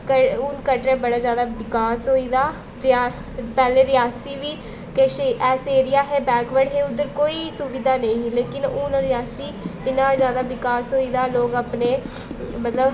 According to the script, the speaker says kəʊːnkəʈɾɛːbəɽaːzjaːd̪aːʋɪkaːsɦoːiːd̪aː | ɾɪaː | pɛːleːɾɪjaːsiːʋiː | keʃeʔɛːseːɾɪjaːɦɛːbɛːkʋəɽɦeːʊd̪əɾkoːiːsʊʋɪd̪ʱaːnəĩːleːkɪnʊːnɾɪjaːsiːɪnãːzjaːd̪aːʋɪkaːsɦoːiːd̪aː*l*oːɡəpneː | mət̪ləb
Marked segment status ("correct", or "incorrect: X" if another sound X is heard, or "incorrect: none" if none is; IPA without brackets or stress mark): correct